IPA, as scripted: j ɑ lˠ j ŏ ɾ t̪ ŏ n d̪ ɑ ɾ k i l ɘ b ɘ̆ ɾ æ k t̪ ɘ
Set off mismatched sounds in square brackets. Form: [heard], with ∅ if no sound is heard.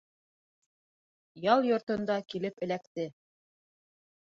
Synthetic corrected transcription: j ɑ lˠ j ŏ ɾ t̪ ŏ n d̪ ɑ [∅] k i l ɘ [p] ɘ̆ [l] æ k t̪ ɘ